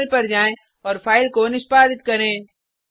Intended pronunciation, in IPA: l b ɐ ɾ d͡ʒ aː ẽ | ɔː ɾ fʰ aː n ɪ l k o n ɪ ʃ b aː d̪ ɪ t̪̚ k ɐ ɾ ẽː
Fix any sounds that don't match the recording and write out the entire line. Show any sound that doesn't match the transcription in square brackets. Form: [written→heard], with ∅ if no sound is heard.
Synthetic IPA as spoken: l [b→p] ɐ ɾ d͡ʒ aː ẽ | ɔː ɾ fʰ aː [n→∅] ɪ l k o n ɪ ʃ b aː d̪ ɪ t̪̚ k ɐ ɾ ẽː